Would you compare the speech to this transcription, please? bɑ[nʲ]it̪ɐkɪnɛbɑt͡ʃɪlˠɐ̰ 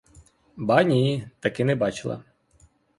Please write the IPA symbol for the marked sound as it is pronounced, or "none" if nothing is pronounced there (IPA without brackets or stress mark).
nʲ